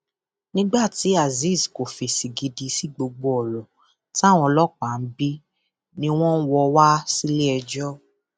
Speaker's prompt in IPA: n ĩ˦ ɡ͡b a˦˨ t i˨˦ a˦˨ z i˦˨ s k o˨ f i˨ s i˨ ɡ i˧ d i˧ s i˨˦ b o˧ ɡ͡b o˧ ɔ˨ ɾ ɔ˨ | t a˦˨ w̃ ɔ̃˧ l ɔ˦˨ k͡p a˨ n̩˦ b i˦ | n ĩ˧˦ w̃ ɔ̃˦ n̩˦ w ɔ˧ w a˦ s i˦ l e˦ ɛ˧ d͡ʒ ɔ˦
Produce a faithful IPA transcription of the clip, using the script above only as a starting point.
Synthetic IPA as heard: n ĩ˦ ɡ͡b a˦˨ t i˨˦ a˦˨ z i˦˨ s k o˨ f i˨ s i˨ ɡ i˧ d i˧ s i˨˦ ɡ͡b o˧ ɡ͡b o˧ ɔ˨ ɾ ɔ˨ | t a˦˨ w̃ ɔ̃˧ l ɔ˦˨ k͡p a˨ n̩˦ b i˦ | n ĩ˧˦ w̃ ɔ̃˦ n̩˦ w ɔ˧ w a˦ s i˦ l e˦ ɛ˧ d͡ʒ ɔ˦